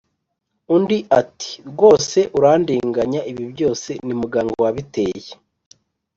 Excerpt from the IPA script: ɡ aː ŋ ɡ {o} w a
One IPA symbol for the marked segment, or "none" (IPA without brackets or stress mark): o